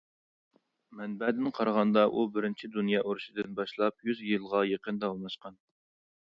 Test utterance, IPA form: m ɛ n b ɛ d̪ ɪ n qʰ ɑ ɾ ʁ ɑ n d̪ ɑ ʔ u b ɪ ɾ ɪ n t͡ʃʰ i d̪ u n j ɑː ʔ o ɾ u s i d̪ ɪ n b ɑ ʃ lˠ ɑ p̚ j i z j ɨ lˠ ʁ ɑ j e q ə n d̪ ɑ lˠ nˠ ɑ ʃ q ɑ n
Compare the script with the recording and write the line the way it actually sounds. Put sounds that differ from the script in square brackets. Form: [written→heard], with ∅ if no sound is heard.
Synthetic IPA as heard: m ɛ n b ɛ d̪ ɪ n qʰ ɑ ɾ ʁ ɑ n d̪ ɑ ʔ u b ɪ ɾ ɪ n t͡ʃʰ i d̪ u n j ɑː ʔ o ɾ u [s→ʃ] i d̪ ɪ n b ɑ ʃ lˠ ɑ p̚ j [i→y] z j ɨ lˠ ʁ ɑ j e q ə n d̪ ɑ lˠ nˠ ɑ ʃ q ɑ n

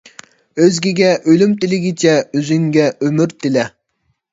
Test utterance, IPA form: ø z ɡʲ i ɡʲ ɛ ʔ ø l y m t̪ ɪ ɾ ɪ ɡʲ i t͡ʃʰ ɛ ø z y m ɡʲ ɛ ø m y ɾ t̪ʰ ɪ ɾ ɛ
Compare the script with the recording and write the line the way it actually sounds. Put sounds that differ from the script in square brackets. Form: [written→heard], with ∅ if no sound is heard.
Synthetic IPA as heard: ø z ɡʲ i ɡʲ ɛ ʔ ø l y m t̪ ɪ [ɾ→l] ɪ ɡʲ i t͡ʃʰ ɛ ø z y [m→ŋ] ɡʲ ɛ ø m y ɾ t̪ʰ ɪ [ɾ→l] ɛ

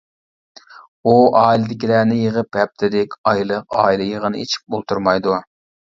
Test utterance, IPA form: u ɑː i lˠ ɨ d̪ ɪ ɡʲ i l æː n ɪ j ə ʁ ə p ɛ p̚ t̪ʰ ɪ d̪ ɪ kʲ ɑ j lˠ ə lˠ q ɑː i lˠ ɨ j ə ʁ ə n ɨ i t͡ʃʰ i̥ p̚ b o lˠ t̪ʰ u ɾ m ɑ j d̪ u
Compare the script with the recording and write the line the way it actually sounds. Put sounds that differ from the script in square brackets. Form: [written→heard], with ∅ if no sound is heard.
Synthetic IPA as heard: u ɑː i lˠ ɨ d̪ ɪ [ɡʲ→kʲ] i l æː n ɪ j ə ʁ ə p ɛ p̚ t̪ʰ ɪ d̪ ɪ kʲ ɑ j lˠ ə [lˠ→∅] q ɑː i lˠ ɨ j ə ʁ ə n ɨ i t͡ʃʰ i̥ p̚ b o lˠ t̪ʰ u ɾ m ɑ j d̪ u

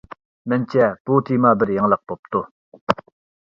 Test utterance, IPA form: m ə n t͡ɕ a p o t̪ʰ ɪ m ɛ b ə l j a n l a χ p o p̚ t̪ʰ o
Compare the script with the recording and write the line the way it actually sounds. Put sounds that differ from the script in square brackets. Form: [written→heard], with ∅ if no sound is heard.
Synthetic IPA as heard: m ə n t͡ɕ a p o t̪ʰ [ɪ→i] m [ɛ→a] b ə [l→r] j a [n→ŋ] l a χ p o p̚ [t̪ʰ→t̪] o

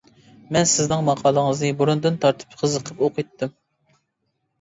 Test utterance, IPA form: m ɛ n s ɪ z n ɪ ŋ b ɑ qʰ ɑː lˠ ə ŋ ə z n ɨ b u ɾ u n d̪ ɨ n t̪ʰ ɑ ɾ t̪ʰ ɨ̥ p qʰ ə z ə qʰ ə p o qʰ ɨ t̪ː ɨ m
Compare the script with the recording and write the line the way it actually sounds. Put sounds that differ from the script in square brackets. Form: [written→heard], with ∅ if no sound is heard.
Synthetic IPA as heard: m ɛ n s ɪ z n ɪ ŋ [b→m] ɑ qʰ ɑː lˠ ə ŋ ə z n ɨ b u ɾ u n d̪ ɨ n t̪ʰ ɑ ɾ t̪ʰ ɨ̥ p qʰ ə z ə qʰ ə p o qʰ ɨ t̪ː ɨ m

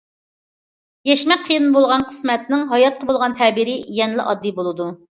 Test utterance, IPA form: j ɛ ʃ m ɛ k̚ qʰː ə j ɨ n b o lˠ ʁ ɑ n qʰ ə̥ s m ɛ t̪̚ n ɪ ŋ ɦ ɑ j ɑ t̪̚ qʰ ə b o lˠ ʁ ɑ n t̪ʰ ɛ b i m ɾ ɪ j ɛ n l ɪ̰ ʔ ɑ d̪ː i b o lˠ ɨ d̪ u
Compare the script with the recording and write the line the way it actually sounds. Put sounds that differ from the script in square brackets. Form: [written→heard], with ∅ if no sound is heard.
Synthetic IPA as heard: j ɛ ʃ m ɛ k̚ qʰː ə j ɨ n b o lˠ ʁ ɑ n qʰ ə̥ s m ɛ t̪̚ n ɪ ŋ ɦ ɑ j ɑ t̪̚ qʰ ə b o lˠ ʁ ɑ n t̪ʰ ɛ b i [m→∅] ɾ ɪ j ɛ n l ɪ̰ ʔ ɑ d̪ː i b o lˠ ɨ d̪ u

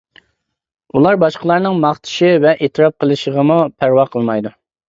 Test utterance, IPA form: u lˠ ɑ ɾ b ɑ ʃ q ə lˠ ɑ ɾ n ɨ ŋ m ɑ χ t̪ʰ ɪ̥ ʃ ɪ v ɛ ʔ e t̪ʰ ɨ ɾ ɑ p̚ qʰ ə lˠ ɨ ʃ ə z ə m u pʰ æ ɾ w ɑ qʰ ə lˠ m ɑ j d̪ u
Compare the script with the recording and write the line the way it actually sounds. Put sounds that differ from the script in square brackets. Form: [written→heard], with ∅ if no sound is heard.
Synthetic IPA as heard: u lˠ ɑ ɾ b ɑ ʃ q ə lˠ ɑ ɾ n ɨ ŋ m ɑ χ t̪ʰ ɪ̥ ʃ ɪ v ɛ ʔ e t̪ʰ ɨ ɾ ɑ p̚ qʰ ə lˠ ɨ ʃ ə [z→ʁ] ə m u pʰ æ ɾ w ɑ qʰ ə lˠ m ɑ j d̪ u

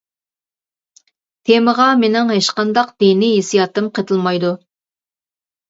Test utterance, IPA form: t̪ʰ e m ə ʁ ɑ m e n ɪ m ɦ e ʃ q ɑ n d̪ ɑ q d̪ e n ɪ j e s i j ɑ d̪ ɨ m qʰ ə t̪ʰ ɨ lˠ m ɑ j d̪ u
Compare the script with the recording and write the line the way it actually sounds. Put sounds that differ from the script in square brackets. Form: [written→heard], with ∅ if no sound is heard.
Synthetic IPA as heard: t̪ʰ e m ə ʁ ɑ m e n ɪ [m→ŋ] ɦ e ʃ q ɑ n d̪ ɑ q d̪ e n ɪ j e s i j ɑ [d̪→t̪] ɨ m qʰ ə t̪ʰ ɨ lˠ m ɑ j d̪ u

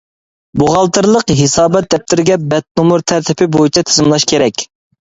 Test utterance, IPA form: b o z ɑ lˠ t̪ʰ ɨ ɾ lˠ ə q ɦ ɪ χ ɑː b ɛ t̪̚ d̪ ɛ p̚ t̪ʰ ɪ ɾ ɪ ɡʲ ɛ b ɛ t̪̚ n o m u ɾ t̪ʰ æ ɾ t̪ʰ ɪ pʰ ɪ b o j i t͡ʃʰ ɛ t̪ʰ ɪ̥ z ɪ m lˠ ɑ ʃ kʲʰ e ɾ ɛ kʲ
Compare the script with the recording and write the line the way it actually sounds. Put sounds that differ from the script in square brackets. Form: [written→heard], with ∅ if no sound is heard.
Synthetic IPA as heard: b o [z→ʁ] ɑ lˠ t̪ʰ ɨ ɾ lˠ ə q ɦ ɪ [χ→s] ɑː b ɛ t̪̚ d̪ ɛ p̚ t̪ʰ ɪ ɾ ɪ ɡʲ ɛ b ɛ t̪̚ n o m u ɾ t̪ʰ æ ɾ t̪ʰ ɪ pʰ ɪ b o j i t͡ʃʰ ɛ t̪ʰ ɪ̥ z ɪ m lˠ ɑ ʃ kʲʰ e ɾ ɛ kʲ

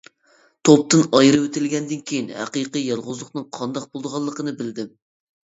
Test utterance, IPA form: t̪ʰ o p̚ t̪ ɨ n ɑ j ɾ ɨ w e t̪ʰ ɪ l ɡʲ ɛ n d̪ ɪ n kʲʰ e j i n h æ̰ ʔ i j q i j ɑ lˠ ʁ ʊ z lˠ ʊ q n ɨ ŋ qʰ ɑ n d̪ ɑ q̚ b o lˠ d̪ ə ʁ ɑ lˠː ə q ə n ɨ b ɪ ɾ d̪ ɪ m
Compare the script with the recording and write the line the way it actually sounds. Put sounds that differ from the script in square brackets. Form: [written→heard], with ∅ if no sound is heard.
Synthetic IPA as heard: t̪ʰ o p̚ t̪ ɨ n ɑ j ɾ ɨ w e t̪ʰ ɪ l ɡʲ ɛ n d̪ ɪ n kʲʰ e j i n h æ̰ [ʔ→q] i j q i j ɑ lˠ ʁ ʊ z lˠ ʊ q n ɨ ŋ qʰ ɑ n d̪ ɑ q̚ b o lˠ d̪ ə ʁ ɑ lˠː ə q ə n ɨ b ɪ [ɾ→l] d̪ ɪ m

